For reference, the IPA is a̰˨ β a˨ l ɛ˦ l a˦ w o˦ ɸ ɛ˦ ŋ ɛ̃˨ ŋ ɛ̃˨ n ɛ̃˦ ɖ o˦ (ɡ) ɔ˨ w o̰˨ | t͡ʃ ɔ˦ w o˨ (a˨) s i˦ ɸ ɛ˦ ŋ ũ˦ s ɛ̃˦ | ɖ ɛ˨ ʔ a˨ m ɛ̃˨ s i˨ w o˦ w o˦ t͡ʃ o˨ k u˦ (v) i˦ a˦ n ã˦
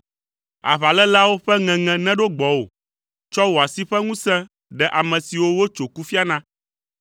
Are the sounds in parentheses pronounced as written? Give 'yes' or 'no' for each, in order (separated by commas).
no, yes, no